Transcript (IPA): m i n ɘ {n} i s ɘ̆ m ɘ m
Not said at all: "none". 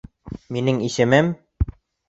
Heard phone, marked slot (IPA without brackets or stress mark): ŋ